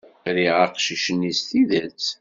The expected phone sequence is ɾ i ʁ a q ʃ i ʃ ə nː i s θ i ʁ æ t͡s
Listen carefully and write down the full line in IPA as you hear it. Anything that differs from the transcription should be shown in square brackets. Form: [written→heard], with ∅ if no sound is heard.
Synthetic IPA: ɾ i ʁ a q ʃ i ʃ ə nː i s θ i [ʁ→ð] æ t͡s